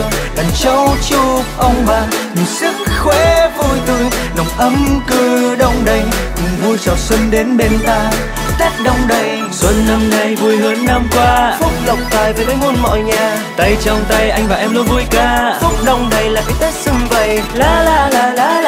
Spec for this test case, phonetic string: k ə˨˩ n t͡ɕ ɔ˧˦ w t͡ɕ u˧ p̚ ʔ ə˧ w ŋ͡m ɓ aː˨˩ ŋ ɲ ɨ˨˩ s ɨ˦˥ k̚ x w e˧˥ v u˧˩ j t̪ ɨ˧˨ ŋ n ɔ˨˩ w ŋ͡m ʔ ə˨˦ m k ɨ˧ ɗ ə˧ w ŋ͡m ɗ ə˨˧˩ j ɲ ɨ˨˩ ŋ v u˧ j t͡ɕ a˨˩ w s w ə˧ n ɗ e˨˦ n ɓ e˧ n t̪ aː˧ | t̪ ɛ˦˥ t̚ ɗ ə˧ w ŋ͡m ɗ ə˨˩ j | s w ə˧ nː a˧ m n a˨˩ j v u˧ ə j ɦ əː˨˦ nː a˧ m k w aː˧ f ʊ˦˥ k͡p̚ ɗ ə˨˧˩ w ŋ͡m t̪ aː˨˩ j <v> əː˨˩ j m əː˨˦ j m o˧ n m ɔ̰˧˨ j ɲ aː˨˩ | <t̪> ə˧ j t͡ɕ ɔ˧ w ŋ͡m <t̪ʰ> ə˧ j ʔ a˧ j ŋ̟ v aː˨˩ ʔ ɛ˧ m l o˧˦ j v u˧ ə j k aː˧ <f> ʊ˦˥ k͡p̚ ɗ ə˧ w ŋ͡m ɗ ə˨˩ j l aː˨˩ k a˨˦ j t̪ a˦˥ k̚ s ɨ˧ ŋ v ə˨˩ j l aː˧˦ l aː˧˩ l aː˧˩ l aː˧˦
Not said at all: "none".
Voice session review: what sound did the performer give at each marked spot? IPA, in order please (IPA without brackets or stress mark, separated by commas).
v, t̪, t̪, f